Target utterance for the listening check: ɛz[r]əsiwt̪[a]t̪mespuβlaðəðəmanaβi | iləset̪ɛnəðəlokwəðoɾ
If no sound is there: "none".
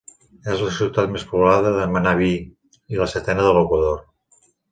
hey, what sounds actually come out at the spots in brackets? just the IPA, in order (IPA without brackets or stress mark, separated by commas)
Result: l, a